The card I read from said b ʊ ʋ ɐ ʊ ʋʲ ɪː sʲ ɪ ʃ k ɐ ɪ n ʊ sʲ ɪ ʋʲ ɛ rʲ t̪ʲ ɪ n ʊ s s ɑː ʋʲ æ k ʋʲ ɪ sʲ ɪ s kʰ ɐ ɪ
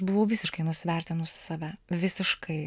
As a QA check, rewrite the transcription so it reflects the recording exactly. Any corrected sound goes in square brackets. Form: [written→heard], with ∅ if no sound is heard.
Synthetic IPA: b ʊ ʋ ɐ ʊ ʋʲ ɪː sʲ ɪ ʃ k ɐ ɪ n ʊ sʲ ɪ ʋʲ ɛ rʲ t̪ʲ ɪ n ʊ s s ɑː ʋʲ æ [k→∅] ʋʲ ɪ sʲ ɪ [s→ʃ] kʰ ɐ ɪ